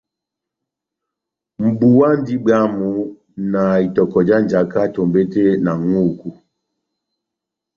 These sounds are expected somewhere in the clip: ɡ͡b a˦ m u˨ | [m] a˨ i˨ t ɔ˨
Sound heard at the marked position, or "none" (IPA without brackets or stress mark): n